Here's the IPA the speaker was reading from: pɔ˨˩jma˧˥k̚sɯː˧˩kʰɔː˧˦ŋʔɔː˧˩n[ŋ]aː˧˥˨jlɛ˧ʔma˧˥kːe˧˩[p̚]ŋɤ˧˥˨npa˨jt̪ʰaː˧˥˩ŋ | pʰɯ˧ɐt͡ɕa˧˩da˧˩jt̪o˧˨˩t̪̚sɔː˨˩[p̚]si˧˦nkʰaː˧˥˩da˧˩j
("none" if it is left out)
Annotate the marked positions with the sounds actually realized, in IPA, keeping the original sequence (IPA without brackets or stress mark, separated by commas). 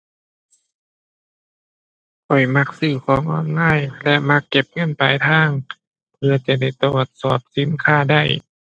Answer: ŋ, p̚, p̚